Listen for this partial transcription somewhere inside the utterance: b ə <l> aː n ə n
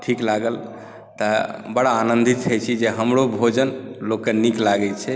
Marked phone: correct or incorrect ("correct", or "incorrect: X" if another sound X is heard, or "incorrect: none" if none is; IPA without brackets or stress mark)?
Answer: incorrect: ɽ